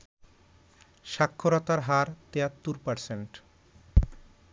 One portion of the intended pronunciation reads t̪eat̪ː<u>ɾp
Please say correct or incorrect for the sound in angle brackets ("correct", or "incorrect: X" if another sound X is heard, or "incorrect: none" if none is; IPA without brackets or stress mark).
correct